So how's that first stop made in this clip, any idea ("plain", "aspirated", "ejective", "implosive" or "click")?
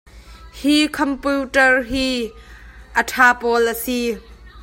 aspirated